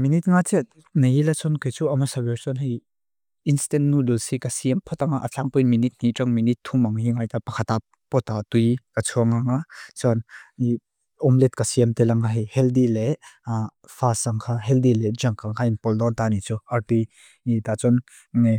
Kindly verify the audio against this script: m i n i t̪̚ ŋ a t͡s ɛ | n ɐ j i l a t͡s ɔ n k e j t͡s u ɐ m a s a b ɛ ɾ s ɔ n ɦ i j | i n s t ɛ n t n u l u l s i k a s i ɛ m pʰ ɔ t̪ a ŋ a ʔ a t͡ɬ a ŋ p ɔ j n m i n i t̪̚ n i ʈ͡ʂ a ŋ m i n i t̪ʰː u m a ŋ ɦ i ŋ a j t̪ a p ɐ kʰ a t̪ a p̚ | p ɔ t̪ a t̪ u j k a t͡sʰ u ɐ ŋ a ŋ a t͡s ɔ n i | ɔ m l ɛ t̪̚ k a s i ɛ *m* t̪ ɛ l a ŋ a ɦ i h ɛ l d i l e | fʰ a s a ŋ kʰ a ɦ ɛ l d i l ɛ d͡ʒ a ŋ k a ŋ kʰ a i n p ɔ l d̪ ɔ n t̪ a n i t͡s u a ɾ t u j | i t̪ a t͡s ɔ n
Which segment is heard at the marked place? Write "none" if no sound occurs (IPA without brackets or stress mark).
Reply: m